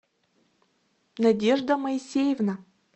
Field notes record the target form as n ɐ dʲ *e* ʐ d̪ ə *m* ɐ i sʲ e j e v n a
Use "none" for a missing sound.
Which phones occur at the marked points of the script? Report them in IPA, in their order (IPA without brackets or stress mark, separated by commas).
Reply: e, m